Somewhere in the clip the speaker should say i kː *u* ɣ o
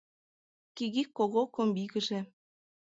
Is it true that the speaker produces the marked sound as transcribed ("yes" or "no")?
no